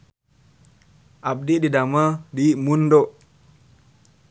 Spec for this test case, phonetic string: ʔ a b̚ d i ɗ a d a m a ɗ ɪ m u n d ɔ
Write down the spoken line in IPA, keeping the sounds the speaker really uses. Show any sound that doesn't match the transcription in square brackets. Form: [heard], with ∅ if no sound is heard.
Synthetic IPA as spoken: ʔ a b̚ d i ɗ [i] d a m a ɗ [i] m u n d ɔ